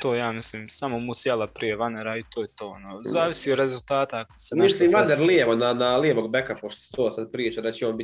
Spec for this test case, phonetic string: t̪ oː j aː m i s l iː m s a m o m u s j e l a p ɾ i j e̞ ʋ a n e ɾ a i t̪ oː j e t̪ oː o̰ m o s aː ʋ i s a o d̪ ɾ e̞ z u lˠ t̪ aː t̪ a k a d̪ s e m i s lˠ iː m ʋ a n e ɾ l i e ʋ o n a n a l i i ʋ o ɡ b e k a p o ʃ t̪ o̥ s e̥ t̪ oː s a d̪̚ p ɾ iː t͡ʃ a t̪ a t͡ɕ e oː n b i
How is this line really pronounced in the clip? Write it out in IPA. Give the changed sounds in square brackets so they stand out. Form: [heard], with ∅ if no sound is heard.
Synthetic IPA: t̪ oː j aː m i s l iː m s a m o m u s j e l a p ɾ i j e̞ ʋ a n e ɾ a i t̪ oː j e t̪ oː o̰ [n] o [z] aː ʋ i s [i] o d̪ ɾ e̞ z u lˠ t̪ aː t̪ a k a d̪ s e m i s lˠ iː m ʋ a n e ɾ l i e ʋ o n a n a l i [e] ʋ o ɡ b e k a p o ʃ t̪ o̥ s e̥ t̪ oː s a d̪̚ p ɾ iː t͡ʃ a [d̪] a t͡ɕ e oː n b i